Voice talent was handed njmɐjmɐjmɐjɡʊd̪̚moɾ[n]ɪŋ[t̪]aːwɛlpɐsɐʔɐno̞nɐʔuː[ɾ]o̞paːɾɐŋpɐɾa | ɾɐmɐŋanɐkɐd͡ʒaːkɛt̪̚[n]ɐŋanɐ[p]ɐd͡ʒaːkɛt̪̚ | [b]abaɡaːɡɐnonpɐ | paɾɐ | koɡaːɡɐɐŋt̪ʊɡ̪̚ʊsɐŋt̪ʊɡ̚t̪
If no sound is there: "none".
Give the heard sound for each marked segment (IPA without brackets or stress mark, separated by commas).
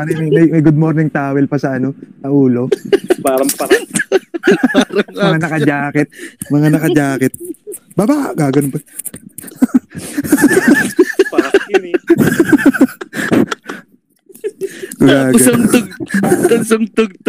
n, t̪, l, m, k, b